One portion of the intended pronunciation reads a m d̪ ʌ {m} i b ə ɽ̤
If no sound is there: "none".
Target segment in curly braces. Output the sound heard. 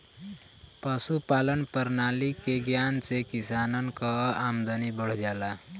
n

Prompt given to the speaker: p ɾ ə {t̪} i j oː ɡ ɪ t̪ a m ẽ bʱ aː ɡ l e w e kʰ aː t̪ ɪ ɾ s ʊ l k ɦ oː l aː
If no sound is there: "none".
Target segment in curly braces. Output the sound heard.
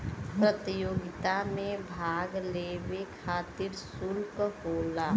t̪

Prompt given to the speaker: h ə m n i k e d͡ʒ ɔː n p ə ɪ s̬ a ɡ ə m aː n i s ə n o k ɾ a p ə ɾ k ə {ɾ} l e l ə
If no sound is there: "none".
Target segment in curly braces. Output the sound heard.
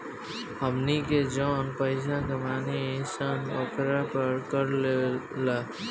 ɾ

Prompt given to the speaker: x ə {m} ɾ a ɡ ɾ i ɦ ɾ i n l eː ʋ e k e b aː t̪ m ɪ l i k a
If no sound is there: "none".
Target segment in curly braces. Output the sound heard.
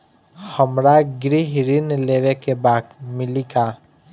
m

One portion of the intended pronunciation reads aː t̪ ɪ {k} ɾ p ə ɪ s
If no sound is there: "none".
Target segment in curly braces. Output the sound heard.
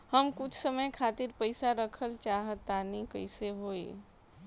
none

